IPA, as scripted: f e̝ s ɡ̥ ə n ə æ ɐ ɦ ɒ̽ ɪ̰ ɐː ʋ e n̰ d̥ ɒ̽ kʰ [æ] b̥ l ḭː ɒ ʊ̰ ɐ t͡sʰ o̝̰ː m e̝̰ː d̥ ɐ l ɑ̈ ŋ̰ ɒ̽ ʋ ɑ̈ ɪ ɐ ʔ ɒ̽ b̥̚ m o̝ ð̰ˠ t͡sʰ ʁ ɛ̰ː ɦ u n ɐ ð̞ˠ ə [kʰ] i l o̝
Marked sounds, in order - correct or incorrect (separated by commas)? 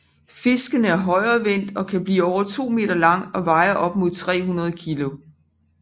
correct, correct